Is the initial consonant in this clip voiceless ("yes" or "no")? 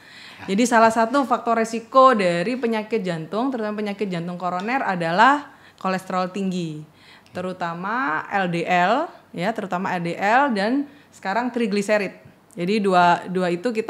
no